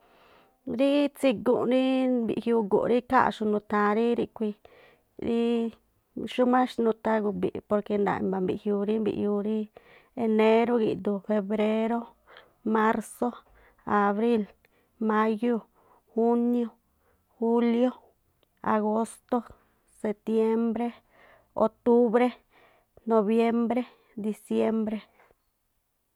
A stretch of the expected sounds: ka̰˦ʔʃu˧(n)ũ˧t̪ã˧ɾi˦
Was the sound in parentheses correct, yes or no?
yes